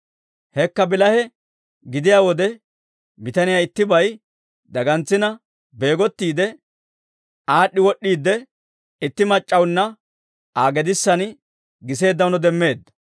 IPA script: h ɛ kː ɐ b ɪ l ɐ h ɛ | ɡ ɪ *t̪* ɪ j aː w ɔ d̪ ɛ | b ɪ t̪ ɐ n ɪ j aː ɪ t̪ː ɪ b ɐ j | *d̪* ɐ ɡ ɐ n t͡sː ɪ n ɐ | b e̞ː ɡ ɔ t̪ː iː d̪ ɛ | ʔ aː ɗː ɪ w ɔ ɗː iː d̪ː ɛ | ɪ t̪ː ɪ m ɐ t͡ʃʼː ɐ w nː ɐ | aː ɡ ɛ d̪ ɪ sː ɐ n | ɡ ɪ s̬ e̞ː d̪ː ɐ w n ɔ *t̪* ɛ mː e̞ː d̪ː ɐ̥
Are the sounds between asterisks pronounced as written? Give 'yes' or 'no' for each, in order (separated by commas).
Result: no, yes, no